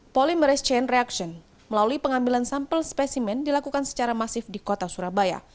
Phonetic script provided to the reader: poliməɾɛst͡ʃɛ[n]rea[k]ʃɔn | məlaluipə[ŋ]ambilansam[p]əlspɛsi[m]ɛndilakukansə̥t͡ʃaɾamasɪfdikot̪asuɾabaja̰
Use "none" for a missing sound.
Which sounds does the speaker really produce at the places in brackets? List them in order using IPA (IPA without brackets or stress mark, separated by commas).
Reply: n, k, ŋ, p, m